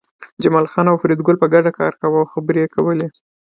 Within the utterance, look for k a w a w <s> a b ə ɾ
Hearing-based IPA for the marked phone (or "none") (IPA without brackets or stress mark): x